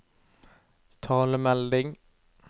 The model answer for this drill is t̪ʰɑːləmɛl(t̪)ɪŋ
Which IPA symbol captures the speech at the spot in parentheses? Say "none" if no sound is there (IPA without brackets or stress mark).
d̪